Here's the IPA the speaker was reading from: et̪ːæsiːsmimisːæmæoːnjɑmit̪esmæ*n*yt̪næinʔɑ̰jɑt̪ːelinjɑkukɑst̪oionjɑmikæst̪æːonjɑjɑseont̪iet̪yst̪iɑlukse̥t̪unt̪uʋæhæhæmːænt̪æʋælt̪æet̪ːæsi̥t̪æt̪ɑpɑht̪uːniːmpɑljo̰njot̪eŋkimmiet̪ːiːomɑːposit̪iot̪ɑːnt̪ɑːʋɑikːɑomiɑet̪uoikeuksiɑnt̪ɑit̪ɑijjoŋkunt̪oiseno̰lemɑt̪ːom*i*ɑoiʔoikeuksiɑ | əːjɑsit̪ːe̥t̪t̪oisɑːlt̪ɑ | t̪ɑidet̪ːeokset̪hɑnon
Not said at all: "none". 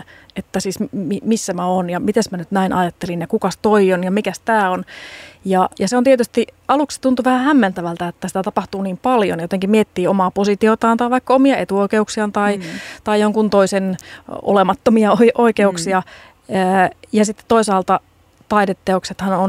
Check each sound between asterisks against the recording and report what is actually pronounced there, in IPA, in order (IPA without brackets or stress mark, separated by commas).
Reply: n, i